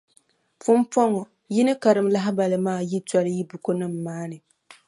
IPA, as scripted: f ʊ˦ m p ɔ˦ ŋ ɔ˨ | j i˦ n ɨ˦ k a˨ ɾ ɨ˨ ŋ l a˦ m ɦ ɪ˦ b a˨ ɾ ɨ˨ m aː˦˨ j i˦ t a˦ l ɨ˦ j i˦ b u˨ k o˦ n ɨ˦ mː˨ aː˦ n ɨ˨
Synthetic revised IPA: f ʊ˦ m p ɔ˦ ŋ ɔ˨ | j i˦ n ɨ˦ k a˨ ɾ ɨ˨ m l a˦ ɦ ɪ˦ b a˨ l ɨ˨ m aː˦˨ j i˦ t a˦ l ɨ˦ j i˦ b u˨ k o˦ n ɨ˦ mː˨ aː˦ n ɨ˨

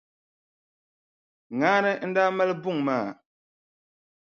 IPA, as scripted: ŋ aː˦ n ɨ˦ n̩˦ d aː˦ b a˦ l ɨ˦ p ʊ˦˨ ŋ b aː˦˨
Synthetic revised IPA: ŋ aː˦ n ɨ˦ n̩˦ d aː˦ m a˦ l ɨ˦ b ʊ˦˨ ŋ m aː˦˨

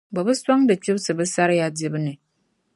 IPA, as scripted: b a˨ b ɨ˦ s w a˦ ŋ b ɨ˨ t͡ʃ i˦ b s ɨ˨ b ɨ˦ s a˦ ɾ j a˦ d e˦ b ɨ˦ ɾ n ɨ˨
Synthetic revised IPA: b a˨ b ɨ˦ s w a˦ ŋ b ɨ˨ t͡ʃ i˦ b s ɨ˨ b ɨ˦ s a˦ ɾ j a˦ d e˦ b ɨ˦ n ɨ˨

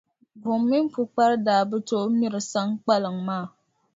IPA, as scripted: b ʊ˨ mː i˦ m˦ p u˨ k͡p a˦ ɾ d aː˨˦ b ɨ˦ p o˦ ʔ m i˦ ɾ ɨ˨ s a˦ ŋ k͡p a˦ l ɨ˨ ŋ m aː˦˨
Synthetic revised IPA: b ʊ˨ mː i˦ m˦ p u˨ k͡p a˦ ɾ d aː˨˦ b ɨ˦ t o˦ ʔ m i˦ ɾ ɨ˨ s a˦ ŋ k͡p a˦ l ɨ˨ ŋ m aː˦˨

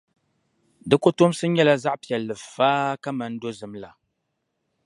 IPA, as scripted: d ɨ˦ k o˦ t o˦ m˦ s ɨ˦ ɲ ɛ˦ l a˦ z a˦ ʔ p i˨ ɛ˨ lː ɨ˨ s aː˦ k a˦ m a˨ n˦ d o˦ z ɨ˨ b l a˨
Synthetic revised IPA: d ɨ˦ k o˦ t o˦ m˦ s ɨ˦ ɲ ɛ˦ l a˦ z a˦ ʔ p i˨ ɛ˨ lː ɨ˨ f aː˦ k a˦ m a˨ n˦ d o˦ z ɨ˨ m l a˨

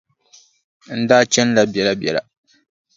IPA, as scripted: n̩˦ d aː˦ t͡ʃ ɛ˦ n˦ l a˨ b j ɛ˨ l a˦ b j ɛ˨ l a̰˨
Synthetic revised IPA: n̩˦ d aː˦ t͡ʃ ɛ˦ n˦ l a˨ b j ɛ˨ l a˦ b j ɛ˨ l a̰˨

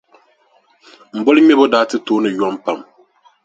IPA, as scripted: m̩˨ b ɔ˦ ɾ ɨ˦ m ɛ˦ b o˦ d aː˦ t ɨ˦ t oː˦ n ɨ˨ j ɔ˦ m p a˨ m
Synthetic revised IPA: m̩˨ b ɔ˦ l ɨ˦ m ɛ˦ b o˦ d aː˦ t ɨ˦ t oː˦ n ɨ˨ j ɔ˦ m p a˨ m

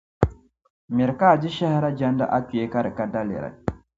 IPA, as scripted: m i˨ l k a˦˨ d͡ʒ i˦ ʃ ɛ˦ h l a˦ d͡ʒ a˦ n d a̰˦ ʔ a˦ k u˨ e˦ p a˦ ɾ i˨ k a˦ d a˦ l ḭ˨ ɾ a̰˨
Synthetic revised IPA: m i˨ ɾ k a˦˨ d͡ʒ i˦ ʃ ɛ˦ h ɾ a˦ d͡ʒ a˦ n d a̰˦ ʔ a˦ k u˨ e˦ k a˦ ɾ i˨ k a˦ d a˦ l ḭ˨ ɾ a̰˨

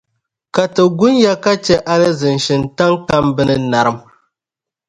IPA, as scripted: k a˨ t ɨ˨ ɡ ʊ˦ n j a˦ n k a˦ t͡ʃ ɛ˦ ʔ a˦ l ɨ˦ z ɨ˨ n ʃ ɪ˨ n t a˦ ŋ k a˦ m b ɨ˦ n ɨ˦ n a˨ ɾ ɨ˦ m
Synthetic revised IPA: k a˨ t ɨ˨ ɡ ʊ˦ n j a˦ k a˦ t͡ʃ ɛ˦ ʔ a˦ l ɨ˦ z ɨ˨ n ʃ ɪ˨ n t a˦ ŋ k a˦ m b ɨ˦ n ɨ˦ n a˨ ɾ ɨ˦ m

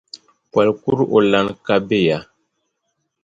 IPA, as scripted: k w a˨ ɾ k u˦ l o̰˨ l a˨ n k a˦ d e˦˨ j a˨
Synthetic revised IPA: k w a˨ l k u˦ ɾ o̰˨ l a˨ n k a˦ b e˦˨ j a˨

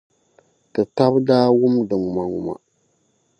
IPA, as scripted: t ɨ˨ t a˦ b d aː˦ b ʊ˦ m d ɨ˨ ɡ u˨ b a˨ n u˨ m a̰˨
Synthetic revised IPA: t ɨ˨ t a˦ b d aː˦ w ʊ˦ m d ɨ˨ ŋ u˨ m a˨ ŋ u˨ m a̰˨

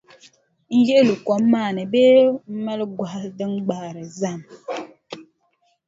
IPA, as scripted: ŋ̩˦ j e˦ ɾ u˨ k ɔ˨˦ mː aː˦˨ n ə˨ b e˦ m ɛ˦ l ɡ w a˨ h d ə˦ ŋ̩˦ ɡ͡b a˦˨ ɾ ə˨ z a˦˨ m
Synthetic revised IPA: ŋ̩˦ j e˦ l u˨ k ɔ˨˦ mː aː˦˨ n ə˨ b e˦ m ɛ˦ l ɡ w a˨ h d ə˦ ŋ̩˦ ɡ͡b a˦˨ ɾ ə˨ z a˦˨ m

